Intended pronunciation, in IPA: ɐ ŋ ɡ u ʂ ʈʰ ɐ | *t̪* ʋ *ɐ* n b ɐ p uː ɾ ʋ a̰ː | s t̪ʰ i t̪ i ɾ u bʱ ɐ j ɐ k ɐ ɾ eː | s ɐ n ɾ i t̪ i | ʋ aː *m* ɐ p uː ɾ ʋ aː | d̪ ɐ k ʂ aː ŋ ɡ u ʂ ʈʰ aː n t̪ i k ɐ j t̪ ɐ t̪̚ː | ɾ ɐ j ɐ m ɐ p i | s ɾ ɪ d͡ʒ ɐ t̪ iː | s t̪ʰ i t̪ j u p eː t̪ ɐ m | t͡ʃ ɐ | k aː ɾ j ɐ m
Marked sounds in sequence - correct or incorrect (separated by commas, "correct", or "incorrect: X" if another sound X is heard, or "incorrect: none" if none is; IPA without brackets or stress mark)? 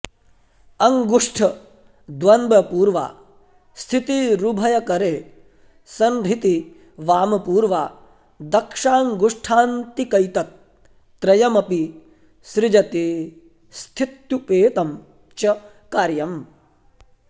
incorrect: d̪, correct, correct